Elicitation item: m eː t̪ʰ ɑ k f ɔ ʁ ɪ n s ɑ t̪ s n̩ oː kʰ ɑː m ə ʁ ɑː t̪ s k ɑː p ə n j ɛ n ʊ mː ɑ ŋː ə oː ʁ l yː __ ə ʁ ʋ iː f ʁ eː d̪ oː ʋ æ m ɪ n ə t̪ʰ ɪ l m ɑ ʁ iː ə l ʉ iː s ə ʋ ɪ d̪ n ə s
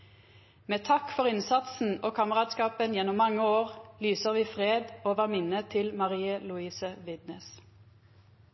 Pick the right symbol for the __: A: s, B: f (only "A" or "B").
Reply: A